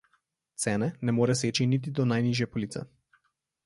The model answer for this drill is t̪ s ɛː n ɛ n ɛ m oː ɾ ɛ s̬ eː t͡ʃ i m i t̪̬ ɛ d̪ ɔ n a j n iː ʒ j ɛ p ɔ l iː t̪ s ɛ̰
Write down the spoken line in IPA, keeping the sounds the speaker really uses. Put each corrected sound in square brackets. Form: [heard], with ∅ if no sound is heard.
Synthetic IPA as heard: t̪ s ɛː n ɛ n ɛ m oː ɾ ɛ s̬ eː t͡ʃ i [n] i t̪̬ [i] d̪ ɔ n a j n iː ʒ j ɛ p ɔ l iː t̪ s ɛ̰